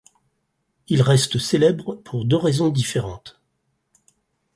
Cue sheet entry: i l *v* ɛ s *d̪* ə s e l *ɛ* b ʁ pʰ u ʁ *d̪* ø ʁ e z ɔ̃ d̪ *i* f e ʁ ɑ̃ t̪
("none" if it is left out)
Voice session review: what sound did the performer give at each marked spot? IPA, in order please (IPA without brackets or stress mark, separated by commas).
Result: ʁ, t̪, ɛ, d̪, i